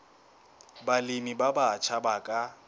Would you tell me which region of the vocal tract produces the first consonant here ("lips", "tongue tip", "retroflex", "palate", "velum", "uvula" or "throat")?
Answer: lips